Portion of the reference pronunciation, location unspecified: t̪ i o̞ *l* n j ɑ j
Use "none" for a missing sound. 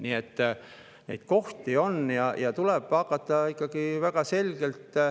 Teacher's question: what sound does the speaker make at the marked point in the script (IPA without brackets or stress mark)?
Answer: none